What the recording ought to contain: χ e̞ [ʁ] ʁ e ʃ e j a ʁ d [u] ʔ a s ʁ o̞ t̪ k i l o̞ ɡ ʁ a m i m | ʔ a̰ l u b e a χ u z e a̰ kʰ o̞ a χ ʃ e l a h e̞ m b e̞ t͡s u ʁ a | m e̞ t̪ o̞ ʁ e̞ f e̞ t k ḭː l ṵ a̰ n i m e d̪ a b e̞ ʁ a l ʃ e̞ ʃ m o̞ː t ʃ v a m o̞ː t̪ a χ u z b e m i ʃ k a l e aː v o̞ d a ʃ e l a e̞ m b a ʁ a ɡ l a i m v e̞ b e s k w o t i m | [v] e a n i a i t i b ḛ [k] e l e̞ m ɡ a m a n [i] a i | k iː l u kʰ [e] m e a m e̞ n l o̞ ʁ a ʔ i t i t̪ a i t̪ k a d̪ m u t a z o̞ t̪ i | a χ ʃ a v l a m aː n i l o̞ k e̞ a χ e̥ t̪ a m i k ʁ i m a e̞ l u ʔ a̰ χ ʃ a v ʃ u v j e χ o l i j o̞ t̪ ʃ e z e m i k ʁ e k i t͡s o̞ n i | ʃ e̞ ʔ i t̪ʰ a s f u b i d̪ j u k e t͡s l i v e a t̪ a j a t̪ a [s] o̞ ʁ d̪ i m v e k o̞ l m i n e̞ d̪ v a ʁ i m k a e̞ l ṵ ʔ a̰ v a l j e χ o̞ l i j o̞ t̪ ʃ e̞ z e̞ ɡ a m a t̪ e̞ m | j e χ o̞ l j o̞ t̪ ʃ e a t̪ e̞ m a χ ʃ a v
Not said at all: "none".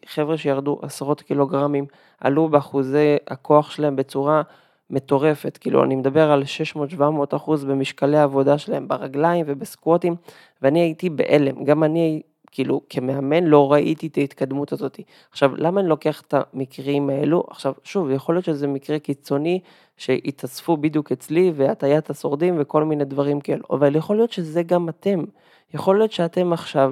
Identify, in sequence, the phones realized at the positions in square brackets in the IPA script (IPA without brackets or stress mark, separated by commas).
v, u, v, ʔ, i, e, s